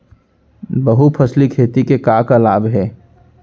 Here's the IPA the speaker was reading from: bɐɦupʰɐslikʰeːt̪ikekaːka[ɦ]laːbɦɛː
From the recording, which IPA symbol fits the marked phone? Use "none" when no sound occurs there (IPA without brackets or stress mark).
none